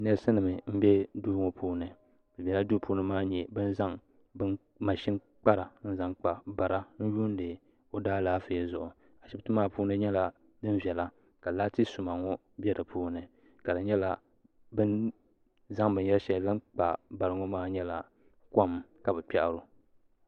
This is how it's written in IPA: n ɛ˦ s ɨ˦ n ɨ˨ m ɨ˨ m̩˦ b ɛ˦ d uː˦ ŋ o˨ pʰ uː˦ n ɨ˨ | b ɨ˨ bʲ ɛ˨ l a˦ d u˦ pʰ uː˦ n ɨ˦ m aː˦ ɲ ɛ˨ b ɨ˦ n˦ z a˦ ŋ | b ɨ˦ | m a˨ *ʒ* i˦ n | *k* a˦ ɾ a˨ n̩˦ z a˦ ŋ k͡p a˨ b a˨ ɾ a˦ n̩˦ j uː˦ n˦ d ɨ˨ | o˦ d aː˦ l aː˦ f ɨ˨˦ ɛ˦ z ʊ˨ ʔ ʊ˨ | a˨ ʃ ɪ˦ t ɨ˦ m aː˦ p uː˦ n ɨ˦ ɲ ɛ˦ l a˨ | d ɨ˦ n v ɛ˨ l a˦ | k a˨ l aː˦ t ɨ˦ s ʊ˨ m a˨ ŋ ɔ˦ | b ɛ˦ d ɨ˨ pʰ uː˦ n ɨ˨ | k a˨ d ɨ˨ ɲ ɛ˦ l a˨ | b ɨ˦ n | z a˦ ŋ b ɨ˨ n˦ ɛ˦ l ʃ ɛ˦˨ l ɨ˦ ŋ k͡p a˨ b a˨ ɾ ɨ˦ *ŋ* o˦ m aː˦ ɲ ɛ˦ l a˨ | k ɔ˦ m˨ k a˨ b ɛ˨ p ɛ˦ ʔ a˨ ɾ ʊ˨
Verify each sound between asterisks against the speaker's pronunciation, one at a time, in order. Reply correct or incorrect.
incorrect, incorrect, correct

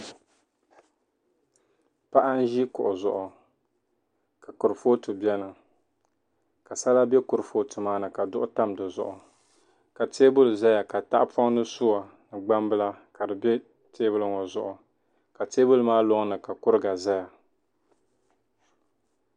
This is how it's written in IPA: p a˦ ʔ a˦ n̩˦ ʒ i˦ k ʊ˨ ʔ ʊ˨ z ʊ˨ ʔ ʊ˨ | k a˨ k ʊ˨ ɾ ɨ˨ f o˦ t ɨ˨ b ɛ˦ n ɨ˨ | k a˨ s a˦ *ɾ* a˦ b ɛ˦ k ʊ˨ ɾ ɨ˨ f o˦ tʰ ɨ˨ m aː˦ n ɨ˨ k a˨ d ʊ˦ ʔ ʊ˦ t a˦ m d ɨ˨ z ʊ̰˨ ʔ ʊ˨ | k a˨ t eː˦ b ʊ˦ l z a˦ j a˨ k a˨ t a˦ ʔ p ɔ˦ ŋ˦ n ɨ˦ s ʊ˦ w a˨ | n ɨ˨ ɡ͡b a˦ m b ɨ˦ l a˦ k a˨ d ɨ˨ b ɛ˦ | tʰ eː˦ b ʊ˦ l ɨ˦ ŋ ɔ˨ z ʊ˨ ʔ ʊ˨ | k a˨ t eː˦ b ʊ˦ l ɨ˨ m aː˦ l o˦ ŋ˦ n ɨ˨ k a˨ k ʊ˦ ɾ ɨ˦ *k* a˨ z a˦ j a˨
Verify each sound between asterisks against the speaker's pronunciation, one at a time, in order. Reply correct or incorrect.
incorrect, incorrect

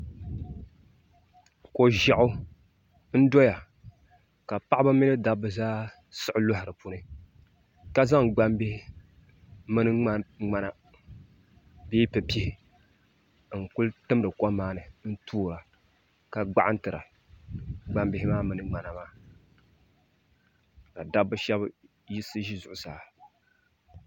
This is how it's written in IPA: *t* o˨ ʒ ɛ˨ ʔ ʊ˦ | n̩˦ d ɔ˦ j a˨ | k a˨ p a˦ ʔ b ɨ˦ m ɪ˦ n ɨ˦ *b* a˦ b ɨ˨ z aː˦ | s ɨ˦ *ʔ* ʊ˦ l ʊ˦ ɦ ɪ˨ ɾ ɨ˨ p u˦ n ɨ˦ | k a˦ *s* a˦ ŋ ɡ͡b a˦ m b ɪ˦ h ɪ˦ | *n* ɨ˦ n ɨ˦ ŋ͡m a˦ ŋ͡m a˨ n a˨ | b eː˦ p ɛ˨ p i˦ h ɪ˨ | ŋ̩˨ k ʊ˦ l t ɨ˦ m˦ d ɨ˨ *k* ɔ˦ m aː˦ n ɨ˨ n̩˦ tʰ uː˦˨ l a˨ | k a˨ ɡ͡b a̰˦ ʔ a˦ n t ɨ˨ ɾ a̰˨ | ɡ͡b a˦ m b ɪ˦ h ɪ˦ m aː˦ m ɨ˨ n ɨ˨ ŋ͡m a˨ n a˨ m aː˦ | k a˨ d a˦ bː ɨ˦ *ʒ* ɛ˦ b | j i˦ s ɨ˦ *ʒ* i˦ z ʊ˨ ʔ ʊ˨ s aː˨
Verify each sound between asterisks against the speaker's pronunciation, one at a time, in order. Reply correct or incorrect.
incorrect, incorrect, correct, incorrect, incorrect, correct, incorrect, correct

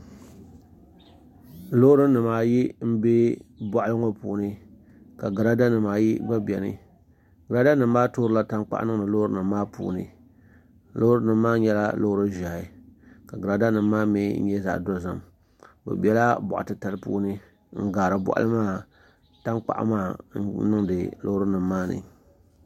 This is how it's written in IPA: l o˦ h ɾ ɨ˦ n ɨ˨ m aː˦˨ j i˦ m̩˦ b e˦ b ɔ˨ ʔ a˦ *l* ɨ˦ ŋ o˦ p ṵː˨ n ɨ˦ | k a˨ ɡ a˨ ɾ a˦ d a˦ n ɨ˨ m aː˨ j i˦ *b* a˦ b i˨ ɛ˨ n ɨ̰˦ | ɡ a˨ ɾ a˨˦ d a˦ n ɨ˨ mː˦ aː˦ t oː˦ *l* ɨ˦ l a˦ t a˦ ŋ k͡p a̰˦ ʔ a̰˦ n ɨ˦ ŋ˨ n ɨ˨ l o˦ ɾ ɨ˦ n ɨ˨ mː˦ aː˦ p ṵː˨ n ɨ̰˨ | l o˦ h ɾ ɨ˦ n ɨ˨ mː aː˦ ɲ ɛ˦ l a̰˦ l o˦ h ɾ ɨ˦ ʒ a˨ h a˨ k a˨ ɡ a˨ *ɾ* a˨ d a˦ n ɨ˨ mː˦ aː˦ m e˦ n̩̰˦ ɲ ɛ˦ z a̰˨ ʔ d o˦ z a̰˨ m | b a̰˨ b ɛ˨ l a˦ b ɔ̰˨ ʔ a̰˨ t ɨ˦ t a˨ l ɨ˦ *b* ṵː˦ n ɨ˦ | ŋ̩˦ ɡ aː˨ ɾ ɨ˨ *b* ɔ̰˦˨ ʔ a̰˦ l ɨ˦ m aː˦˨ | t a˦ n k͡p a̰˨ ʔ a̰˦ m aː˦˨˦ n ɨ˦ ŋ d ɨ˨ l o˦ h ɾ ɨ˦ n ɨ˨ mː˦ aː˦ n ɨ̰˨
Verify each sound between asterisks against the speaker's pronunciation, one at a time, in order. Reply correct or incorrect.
correct, correct, incorrect, correct, incorrect, correct

